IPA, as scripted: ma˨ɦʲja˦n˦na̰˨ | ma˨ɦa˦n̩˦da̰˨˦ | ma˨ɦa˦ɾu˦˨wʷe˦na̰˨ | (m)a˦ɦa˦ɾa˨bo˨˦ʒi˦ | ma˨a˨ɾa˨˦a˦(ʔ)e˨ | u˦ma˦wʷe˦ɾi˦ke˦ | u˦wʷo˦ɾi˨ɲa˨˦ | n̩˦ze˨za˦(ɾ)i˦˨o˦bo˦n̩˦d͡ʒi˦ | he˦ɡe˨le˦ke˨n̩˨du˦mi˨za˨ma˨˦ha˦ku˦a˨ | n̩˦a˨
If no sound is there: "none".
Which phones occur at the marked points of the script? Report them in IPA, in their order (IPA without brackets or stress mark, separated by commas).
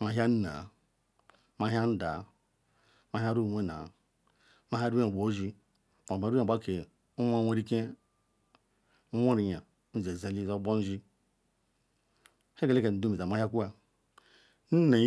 m, k, l